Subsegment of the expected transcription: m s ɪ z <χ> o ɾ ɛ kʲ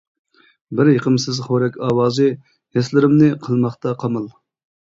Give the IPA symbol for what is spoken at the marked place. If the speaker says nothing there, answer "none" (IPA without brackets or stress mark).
χ